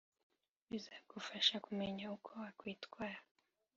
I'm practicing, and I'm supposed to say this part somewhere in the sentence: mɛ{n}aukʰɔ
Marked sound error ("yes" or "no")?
yes